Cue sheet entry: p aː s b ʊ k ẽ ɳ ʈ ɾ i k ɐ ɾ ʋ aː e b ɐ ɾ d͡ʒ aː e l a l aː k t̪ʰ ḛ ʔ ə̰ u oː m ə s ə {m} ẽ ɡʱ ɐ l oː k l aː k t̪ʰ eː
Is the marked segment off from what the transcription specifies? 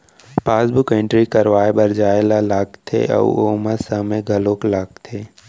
no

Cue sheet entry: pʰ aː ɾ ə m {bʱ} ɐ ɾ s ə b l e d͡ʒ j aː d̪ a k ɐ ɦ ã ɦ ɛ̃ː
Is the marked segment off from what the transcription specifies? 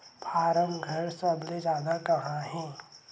yes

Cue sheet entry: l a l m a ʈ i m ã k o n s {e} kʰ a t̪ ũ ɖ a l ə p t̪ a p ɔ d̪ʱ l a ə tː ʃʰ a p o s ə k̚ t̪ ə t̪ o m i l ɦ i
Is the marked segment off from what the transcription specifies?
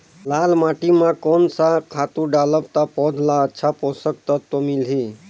yes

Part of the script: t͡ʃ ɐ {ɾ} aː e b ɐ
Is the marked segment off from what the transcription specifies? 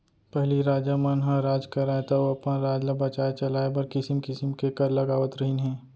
yes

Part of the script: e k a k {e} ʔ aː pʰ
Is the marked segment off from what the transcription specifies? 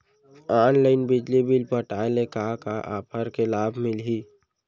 yes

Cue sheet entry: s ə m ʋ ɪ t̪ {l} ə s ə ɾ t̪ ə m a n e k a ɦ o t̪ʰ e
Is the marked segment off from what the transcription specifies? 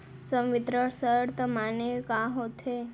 yes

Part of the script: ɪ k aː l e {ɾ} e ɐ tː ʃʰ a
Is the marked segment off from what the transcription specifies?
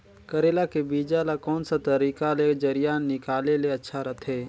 yes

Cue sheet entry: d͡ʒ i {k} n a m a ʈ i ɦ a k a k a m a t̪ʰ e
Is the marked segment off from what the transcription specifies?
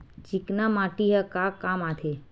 no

